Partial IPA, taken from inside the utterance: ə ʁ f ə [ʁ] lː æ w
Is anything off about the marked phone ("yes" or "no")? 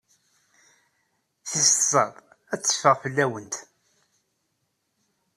yes